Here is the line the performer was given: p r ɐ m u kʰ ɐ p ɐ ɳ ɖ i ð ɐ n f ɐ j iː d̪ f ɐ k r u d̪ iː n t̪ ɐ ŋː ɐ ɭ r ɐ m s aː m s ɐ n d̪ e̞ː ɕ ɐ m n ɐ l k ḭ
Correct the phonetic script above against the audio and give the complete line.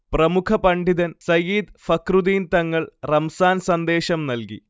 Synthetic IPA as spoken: p r ɐ m u kʰ ɐ p ɐ ɳ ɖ i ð ɐ n s ɐ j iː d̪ f ɐ k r u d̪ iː n t̪ ɐ ŋː ɐ ɭ r ɐ m s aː n s ɐ n d̪ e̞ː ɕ ɐ m n ɐ l k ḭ